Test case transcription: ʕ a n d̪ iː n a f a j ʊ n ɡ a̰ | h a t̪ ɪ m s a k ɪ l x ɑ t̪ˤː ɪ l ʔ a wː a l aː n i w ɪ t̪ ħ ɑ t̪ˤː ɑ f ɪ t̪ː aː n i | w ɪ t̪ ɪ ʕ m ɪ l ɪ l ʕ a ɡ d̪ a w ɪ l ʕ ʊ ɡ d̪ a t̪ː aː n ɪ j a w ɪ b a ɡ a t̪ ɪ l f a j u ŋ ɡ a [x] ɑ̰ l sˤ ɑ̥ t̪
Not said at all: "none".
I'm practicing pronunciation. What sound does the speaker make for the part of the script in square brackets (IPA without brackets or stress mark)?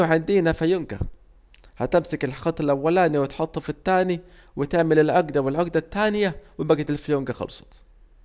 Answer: x